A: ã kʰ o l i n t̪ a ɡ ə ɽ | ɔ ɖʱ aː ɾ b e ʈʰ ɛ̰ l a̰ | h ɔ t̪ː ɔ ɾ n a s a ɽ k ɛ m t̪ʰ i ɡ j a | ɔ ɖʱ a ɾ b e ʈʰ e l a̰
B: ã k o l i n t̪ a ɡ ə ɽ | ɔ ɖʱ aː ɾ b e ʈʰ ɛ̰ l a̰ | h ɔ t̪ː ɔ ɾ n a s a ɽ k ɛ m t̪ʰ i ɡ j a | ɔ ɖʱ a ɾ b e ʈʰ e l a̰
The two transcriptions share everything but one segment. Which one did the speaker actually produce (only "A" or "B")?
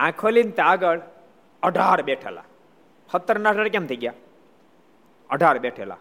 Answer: A